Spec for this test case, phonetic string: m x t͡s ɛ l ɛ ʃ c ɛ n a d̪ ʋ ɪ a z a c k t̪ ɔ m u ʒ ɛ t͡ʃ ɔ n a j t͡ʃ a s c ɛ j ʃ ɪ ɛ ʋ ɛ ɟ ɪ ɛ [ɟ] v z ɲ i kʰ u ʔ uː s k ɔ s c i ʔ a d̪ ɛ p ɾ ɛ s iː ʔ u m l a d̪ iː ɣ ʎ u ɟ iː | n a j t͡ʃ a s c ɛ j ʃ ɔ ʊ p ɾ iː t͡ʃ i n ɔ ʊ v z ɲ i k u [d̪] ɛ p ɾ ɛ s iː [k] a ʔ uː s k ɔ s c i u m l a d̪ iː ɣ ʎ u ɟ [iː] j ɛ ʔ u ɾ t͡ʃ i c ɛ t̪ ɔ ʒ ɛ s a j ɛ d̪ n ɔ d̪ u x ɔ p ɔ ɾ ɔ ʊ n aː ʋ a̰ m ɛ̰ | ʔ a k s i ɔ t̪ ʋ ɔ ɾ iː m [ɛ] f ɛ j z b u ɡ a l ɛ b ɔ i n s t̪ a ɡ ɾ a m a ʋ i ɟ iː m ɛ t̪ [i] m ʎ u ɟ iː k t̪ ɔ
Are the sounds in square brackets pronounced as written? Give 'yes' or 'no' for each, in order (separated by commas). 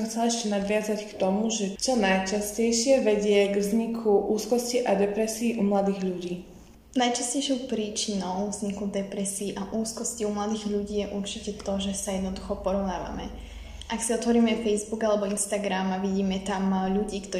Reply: no, yes, no, yes, yes, no